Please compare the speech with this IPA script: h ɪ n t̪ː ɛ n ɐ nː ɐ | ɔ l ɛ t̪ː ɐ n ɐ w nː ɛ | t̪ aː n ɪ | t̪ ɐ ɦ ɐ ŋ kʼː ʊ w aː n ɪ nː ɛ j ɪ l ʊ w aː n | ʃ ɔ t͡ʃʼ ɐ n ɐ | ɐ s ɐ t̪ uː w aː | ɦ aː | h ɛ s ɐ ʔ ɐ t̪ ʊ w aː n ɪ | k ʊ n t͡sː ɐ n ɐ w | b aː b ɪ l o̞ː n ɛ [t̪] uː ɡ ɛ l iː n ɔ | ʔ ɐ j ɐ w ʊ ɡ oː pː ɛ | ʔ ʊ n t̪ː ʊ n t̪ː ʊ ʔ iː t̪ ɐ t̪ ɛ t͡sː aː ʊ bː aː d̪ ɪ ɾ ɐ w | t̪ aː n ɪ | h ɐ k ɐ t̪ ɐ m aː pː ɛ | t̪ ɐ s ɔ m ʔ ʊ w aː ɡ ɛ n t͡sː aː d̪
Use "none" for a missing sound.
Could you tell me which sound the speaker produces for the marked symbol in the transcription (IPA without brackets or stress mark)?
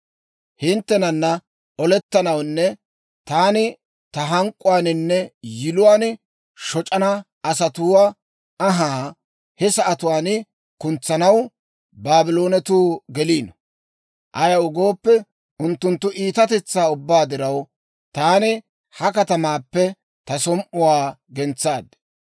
t̪